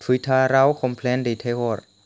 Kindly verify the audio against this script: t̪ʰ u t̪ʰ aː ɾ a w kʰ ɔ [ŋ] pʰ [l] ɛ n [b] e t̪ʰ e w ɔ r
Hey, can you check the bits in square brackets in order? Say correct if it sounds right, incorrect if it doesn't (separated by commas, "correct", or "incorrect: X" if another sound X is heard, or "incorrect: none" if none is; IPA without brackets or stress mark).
incorrect: m, correct, incorrect: d